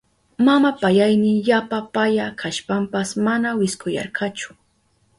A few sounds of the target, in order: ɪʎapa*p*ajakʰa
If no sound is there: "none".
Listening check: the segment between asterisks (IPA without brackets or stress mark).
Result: p